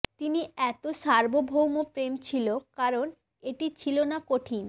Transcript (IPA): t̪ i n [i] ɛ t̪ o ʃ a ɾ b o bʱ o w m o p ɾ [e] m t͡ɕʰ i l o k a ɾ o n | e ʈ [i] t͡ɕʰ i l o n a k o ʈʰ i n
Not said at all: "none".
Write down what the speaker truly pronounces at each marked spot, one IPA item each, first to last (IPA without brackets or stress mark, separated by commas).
i, e, i